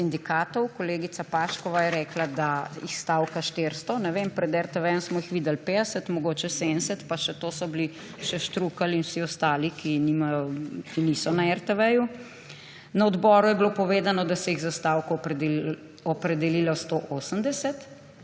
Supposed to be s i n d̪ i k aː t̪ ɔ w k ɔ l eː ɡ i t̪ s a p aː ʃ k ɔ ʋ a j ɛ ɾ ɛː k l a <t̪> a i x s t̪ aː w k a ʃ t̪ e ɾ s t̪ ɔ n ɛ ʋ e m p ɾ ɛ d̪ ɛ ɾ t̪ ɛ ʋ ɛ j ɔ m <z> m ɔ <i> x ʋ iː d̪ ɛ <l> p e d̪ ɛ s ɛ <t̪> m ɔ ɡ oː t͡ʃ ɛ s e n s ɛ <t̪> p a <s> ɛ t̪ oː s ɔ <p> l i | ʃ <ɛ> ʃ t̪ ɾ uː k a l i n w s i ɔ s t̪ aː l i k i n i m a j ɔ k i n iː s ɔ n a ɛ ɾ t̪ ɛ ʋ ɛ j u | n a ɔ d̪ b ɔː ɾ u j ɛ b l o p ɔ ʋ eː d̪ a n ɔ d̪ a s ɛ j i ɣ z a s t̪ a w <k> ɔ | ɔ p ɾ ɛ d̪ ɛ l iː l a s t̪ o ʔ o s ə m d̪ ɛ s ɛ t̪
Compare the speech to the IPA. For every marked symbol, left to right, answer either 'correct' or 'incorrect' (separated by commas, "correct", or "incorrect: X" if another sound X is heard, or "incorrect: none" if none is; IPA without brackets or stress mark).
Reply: incorrect: d̪, incorrect: s, correct, correct, correct, correct, incorrect: ʃ, incorrect: b, correct, correct